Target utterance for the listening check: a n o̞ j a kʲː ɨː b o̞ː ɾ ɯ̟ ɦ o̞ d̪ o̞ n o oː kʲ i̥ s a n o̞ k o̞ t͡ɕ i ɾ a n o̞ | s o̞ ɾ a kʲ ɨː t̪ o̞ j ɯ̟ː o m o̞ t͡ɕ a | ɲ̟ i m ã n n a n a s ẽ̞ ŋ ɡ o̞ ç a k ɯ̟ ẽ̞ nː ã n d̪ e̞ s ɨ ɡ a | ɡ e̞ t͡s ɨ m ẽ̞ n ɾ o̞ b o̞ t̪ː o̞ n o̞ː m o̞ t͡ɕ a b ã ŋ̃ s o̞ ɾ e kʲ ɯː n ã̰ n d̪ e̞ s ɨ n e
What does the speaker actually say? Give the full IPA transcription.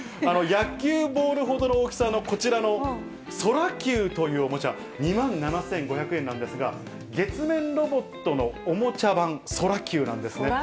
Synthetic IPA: a n o̞ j a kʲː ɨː b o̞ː ɾ ɯ̟ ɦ o̞ d̪ o̞ n o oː kʲ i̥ s a n o̞ k o̞ t͡ɕ i ɾ a n o̞ | s o̞ ɾ a kʲ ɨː t̪ o̞ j ɯ̟ː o m o̞ t͡ɕ a | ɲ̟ i m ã n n a n a s ẽ̞ ŋ ɡ o̞ ç a k ɯ̟ ẽ̞ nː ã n d̪ e̞ s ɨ ɡ a | ɡ e̞ t͡s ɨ m ẽ̞ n ɾ o̞ b o̞ t̪ː o̞ n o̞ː m o̞ t͡ɕ a b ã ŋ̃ s o̞ ɾ a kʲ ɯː n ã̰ n d̪ e̞ s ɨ n e